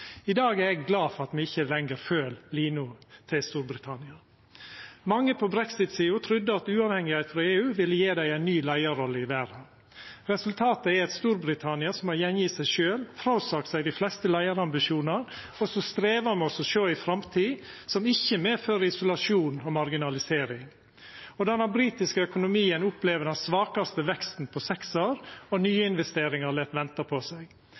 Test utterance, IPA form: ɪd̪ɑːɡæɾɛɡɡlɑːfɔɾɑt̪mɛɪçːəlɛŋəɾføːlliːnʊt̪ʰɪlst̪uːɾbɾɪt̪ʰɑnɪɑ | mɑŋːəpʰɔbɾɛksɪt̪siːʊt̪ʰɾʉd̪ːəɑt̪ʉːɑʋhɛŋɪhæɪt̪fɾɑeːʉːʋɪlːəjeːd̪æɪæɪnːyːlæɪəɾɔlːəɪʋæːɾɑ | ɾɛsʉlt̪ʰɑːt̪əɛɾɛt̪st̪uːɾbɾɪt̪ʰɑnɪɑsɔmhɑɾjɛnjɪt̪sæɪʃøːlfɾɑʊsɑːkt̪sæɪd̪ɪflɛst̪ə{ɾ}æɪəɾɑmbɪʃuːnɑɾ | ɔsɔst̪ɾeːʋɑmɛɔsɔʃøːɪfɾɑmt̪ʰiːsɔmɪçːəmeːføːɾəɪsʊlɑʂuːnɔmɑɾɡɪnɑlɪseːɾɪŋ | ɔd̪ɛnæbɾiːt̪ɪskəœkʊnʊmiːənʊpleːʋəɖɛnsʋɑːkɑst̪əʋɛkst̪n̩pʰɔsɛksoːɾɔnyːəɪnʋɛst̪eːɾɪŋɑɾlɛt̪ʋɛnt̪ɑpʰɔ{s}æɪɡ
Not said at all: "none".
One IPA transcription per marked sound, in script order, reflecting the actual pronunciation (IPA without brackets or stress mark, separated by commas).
l, s